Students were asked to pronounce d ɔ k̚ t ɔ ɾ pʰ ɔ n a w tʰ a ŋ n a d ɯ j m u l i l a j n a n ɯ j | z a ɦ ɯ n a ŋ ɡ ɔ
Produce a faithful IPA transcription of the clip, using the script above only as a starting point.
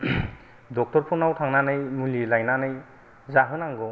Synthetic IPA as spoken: d ɔ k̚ t ɔ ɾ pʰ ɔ n a w tʰ a ŋ n a n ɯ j m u l i l a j n a n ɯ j | z a ɦ ɯ n a ŋ ɡ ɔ